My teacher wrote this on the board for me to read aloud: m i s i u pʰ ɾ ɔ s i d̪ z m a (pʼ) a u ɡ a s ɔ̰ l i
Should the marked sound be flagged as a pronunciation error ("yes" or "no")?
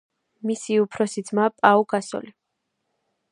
no